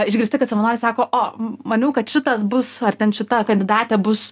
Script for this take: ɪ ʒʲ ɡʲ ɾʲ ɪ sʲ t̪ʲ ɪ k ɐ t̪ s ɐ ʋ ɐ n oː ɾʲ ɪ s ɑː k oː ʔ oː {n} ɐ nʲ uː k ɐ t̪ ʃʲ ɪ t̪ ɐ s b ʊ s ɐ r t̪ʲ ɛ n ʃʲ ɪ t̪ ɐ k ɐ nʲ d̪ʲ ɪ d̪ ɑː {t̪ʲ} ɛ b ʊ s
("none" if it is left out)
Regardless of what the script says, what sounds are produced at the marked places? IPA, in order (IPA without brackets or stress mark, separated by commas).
m, t̪ʲ